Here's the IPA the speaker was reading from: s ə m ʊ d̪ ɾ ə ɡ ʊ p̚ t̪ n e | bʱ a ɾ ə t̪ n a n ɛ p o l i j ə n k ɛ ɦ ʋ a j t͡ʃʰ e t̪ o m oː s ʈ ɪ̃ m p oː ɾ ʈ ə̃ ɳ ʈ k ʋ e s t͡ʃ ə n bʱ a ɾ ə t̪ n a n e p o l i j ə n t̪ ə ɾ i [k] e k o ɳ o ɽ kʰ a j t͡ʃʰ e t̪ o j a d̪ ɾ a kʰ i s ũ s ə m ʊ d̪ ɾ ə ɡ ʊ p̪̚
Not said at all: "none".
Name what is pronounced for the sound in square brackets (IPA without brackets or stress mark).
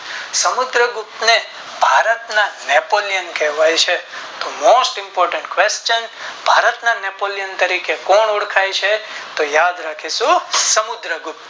k